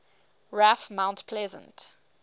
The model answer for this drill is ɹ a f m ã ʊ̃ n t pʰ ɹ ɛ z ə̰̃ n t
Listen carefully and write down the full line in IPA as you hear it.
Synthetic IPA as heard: ɹ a f m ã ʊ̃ n t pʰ l ɛ z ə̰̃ n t